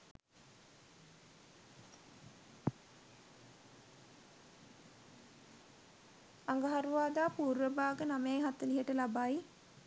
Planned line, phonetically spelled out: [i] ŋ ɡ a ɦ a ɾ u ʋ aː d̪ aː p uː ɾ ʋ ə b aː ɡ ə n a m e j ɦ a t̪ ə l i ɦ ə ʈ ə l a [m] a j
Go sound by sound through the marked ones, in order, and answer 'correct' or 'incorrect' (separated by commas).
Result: incorrect, incorrect